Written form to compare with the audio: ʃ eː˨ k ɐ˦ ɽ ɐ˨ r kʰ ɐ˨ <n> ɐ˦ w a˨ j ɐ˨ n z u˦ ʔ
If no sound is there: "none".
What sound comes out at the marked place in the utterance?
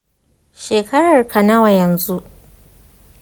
n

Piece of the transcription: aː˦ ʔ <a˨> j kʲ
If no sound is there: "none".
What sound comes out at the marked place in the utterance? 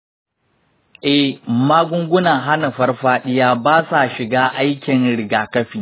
a˦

